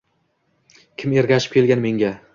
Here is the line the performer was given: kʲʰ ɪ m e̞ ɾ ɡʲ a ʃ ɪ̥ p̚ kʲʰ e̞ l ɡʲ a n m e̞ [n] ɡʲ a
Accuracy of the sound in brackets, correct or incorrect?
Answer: incorrect